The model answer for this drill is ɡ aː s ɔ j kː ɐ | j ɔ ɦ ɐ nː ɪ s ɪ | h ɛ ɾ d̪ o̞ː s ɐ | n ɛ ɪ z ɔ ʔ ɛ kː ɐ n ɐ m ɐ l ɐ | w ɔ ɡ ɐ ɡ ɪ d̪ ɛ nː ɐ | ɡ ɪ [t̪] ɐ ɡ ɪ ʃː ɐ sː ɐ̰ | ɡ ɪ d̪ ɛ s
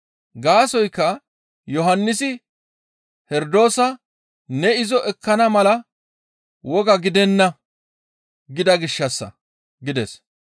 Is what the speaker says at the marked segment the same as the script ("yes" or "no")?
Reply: no